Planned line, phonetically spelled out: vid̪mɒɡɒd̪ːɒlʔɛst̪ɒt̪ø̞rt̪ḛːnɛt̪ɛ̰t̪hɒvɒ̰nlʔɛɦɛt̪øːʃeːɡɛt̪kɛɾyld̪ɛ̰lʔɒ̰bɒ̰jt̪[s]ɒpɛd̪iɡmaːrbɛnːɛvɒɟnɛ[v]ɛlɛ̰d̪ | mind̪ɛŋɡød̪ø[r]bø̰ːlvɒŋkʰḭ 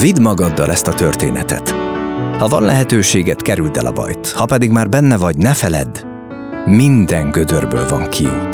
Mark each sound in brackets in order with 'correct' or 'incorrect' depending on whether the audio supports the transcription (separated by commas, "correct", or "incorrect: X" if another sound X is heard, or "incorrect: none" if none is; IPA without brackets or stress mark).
incorrect: h, incorrect: f, correct